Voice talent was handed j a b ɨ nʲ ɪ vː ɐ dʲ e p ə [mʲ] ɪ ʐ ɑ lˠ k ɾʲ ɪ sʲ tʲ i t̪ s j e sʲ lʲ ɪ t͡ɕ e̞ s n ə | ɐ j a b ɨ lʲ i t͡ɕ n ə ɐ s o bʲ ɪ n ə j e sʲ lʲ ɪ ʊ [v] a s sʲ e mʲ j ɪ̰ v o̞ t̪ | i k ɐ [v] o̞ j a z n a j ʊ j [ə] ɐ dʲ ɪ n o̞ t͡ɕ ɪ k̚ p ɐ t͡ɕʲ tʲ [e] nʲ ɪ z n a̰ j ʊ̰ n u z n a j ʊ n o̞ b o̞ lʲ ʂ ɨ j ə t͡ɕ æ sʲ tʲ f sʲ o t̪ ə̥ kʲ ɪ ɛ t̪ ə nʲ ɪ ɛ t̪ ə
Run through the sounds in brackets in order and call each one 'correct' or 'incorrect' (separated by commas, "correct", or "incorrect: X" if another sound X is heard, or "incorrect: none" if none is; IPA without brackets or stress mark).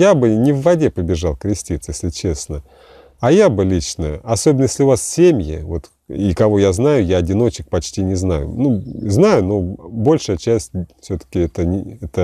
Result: incorrect: bʲ, correct, correct, incorrect: a, incorrect: i